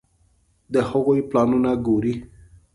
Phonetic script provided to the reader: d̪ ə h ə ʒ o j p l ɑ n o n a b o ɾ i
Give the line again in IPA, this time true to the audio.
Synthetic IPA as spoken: d̪ ə h ə ɣ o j p l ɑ n u n a ɡ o ɾ i